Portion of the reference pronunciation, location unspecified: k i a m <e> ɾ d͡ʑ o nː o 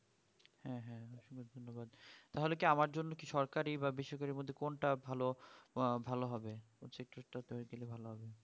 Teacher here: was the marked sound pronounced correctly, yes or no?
no